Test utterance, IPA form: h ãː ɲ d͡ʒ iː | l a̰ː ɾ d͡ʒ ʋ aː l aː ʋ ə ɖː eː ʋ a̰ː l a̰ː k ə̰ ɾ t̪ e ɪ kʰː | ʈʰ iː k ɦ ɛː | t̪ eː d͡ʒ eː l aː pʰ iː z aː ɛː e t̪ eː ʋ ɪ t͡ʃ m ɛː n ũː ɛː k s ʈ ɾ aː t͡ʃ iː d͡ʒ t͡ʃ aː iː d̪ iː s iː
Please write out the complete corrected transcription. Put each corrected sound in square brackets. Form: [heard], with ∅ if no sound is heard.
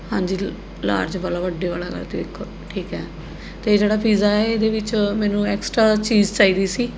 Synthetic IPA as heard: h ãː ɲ d͡ʒ iː | l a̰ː ɾ d͡ʒ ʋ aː l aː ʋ ə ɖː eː ʋ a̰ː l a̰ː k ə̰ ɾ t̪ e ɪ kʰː | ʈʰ iː k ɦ ɛː | t̪ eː d͡ʒ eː [ɽ] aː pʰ iː z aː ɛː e [d̪] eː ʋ ɪ t͡ʃ m ɛː n ũː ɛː k s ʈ ɾ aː t͡ʃ iː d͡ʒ t͡ʃ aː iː d̪ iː s iː